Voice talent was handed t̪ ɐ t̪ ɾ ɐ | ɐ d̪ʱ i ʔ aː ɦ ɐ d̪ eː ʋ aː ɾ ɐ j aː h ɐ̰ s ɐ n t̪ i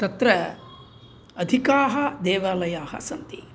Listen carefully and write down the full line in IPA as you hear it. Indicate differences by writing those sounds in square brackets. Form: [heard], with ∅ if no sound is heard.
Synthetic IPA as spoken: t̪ ɐ t̪ ɾ ɐ | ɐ d̪ʱ i [k] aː ɦ ɐ d̪ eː ʋ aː [l] ɐ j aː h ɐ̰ s ɐ n t̪ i

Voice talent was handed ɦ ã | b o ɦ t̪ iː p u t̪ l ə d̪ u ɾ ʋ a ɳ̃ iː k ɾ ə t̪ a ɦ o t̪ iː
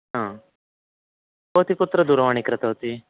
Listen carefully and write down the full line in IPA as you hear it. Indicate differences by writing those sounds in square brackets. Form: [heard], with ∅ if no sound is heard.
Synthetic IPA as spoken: ɦ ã | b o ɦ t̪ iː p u t̪ [ɾ] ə d̪ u ɾ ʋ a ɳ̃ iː k ɾ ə t̪ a ɦ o t̪ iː

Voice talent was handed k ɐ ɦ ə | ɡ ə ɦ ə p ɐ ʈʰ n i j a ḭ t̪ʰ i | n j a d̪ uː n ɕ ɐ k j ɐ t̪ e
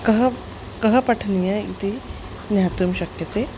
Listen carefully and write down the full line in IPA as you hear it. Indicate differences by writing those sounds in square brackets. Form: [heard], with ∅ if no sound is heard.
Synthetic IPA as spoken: k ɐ ɦ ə | [k] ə ɦ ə p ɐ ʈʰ n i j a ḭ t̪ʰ i | n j a [t̪] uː [m] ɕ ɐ k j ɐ t̪ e

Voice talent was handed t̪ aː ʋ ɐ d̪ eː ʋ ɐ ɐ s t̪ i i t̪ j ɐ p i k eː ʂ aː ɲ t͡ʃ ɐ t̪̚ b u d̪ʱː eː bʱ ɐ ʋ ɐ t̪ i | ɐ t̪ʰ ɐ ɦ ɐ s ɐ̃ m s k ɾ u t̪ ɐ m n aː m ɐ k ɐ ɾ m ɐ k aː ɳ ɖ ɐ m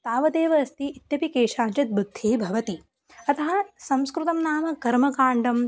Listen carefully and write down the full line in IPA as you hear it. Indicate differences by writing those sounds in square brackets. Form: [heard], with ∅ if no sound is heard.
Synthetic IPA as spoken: t̪ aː ʋ ɐ d̪ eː ʋ ɐ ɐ s t̪ i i t̪ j ɐ p i k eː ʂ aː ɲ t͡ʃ ɐ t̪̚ b u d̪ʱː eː bʱ ɐ ʋ ɐ t̪ i | ɐ [t̪] ɐ ɦ ɐ s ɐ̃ m s k ɾ u t̪ ɐ m n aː m ɐ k ɐ ɾ m ɐ k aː ɳ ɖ ɐ m

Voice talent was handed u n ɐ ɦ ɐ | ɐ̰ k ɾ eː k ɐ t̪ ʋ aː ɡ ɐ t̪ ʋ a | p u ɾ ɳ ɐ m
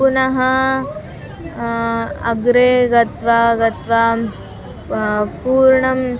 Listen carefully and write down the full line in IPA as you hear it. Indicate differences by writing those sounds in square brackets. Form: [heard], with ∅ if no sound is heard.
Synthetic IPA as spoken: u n ɐ ɦ ɐ | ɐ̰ [ɡ] ɾ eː [ɡ] ɐ t̪ ʋ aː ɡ ɐ t̪ ʋ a | p [uː] ɾ ɳ ɐ m

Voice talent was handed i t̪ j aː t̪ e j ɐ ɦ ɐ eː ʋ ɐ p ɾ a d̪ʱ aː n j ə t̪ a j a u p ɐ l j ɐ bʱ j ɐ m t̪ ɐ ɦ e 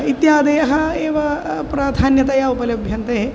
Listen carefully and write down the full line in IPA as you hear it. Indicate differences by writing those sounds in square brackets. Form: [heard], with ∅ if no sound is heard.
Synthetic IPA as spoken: i t̪ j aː [d̪] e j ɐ ɦ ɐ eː ʋ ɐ p ɾ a d̪ʱ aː n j [ɐ] t̪ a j a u p ɐ l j ɐ bʱ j ɐ [n] t̪ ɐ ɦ e

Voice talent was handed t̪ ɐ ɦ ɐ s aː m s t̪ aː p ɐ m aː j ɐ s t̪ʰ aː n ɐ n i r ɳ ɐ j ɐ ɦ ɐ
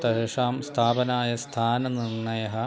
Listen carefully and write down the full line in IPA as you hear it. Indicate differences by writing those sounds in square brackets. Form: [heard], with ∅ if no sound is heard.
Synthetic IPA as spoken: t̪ ɐ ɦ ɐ [ʂ] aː m s [t̪ʰ] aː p ɐ [n] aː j ɐ s t̪ʰ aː n ɐ n i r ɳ ɐ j ɐ ɦ ɐ

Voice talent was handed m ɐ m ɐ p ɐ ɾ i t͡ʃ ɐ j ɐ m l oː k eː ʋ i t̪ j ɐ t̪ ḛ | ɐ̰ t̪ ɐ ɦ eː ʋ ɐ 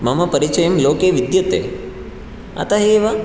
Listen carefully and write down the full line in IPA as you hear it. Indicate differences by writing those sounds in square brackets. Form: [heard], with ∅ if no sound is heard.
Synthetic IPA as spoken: m ɐ m ɐ p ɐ ɾ i t͡ʃ ɐ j ɐ m l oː k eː ʋ i [d̪] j ɐ t̪ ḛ | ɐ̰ t̪ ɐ ɦ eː ʋ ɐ

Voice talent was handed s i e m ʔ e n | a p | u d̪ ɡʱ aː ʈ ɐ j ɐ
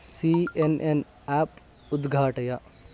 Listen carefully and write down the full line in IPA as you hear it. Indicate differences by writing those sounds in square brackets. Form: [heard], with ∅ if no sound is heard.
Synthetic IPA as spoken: s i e [n] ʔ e n | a p | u d̪ ɡʱ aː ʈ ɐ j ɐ

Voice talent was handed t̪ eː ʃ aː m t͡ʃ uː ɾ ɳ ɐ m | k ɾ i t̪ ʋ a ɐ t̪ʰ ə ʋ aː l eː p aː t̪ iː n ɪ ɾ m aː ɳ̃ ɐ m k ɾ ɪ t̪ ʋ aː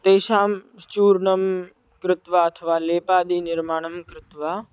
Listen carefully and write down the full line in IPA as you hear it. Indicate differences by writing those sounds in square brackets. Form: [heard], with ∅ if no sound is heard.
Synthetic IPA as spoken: t̪ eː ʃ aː m t͡ʃ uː ɾ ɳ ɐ m | k ɾ [ɪ] t̪ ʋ a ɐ t̪ʰ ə ʋ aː l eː p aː [d̪] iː n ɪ ɾ m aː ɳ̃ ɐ m k ɾ ɪ t̪ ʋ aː

